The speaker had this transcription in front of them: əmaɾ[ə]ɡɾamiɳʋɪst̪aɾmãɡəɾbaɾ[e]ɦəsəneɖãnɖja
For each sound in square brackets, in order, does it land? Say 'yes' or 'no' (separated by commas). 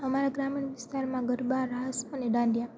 no, no